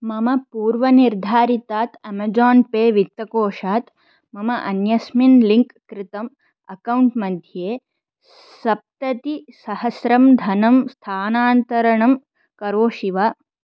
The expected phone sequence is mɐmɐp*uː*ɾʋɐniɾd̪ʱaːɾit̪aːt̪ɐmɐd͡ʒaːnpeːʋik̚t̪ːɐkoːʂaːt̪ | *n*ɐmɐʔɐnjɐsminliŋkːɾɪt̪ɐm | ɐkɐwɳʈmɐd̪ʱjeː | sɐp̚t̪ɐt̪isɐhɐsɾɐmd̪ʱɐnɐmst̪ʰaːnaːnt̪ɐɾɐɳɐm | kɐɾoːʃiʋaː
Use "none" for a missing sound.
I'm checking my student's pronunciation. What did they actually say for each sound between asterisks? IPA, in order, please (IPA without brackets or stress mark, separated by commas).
uː, m